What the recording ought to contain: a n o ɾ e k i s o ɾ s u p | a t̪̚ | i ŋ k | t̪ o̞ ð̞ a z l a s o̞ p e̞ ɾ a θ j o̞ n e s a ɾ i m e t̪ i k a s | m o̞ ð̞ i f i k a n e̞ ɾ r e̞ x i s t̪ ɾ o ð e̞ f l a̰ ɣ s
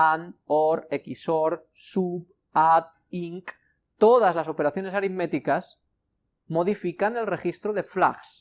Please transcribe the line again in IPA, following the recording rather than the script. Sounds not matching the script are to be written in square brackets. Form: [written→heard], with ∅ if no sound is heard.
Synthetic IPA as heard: a n o ɾ e k i s o ɾ s u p | a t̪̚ | i ŋ k | t̪ o̞ ð̞ a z l a s o̞ p e̞ ɾ a θ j o̞ n e s a ɾ i m e t̪ i k a s | m o̞ ð̞ i f i k a n e̞ [ɾ→l] r e̞ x i s t̪ ɾ o ð e̞ f l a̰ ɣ s

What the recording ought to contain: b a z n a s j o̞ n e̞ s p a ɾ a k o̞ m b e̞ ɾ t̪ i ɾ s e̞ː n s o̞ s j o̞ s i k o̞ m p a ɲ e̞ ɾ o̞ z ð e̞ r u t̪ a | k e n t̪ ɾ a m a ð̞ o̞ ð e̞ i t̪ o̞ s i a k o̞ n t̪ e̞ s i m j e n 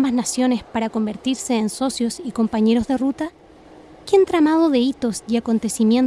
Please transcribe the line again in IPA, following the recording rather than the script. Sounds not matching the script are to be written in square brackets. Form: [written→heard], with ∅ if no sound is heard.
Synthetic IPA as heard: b a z n a s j o̞ n e̞ s p a ɾ a k o̞ m b e̞ ɾ t̪ i ɾ s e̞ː n s o̞ s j o̞ s i k o̞ m p a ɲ e̞ ɾ o̞ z ð e̞ r u t̪ a | k e n t̪ ɾ a m a ð̞ o̞ ð e̞ i t̪ o̞ s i a k o̞ n t̪ e̞ s i m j e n

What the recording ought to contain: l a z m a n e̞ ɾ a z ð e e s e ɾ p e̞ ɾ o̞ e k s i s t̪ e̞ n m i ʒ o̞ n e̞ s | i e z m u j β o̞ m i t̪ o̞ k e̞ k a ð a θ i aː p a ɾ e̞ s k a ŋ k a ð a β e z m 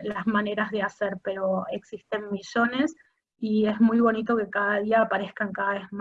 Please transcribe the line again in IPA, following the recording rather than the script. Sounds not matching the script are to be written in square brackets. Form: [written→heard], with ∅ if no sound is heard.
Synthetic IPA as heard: l a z m a n e̞ ɾ a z ð e [e→a] s e ɾ p e̞ ɾ o̞ e k s i s t̪ e̞ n m i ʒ o̞ n e̞ s | i e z m u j β o̞ [m→n] i t̪ o̞ k e̞ k a ð a [θ→ð] i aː p a ɾ e̞ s k a ŋ k a ð a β e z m

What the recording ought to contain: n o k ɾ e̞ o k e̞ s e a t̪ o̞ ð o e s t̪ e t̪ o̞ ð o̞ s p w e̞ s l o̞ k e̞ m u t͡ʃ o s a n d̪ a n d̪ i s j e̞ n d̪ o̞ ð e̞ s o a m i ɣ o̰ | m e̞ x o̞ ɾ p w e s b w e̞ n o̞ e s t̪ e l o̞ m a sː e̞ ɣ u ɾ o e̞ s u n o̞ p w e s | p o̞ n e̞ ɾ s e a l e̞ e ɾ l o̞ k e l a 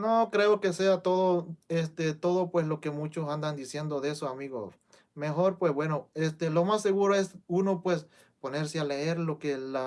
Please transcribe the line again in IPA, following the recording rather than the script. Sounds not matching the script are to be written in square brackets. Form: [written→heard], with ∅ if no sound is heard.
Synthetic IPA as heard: n o k ɾ e̞ o k e̞ s e a t̪ o̞ ð o e s t̪ e t̪ o̞ ð o̞ [s→∅] p w e̞ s l o̞ k e̞ m u t͡ʃ o s a n d̪ a n d̪ i s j e̞ n d̪ o̞ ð e̞ s o a m i ɣ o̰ | m e̞ x o̞ ɾ p w e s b w e̞ n o̞ e s t̪ e l o̞ m a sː e̞ ɣ u ɾ o e̞ s u n o̞ p w e s | p o̞ n e̞ ɾ s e a l e̞ e ɾ l o̞ k e l a

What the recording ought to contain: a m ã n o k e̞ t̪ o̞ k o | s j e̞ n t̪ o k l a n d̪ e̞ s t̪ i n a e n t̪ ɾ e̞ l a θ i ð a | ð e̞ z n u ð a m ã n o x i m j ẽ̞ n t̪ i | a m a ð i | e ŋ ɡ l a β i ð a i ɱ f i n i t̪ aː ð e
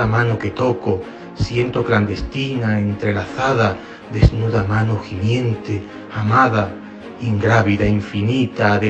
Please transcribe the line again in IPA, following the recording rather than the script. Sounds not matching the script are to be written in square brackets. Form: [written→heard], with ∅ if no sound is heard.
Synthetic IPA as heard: a m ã n o k e̞ t̪ o̞ k o | s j e̞ n t̪ o k l a n d̪ e̞ s t̪ i n a e n t̪ ɾ e̞ l a θ [i→a] ð a | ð e̞ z n u ð a m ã n o x i m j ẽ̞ n t̪ [i→e] | a m a ð [i→a] | [e→i] ŋ ɡ [l→ɾ] a β i ð a i ɱ f i n i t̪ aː ð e

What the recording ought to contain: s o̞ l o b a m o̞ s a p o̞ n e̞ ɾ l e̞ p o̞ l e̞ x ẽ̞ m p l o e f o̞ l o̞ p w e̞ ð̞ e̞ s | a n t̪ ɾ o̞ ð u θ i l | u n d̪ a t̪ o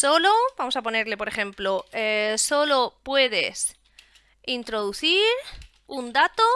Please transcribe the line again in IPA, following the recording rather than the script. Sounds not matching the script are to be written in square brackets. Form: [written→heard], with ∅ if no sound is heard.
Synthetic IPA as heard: s o̞ l o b a m o̞ s a p o̞ n e̞ ɾ l e̞ p o̞ [l→ɾ] e̞ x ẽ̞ m p l o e [f→s] o̞ l o̞ p w e̞ ð̞ e̞ s | [a→i] n t̪ ɾ o̞ ð u θ i [l→ɾ] | u n d̪ a t̪ o

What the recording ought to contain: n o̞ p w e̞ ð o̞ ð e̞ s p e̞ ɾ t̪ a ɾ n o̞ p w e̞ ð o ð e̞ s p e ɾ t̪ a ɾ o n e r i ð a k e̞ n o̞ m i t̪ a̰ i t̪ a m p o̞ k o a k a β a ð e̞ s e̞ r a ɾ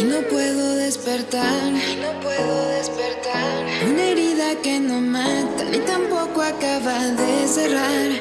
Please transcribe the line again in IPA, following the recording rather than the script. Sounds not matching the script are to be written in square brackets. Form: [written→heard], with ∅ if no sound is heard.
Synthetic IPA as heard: n o̞ p w e̞ ð o̞ ð e̞ s p e̞ ɾ t̪ a ɾ n o̞ p w e̞ ð o ð e̞ s p e ɾ t̪ a ɾ [o→u] n e [r→ɾ] i ð a k e̞ n o̞ m [i→a] t̪ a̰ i t̪ a m p o̞ k o a k a β a ð e̞ s e̞ r a ɾ

